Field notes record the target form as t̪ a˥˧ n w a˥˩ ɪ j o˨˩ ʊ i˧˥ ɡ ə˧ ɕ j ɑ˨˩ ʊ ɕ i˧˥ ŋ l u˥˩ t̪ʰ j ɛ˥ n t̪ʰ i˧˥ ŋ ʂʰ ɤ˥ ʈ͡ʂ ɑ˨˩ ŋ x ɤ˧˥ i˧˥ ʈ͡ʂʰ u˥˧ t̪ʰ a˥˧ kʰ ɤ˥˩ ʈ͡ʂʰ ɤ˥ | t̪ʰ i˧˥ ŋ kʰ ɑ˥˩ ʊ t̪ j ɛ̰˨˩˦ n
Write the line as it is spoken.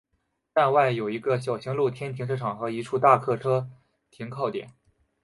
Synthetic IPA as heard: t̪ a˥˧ n w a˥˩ ɪ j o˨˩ ʊ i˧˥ ɡ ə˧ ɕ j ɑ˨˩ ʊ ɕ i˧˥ ŋ l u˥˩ t̪ʰ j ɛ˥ n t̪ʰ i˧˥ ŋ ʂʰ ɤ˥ ʈ͡ʂʰ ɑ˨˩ ŋ x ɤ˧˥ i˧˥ ʈ͡ʂʰ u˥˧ t̪ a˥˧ kʰ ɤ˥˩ ʈ͡ʂʰ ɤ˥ | t̪ʰ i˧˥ ŋ kʰ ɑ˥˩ ʊ t̪ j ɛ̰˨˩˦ n